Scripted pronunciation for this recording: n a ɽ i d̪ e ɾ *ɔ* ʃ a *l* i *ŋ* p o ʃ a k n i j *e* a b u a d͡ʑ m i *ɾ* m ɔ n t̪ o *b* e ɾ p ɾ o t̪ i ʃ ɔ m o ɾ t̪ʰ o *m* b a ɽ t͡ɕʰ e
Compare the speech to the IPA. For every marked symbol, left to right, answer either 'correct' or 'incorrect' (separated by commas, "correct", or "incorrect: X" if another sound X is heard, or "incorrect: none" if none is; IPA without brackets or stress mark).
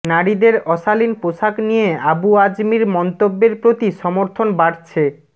correct, correct, incorrect: n, correct, correct, incorrect: bː, incorrect: n